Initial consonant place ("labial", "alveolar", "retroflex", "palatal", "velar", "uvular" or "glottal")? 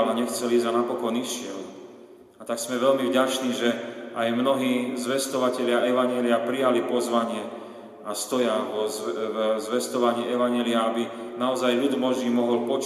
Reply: alveolar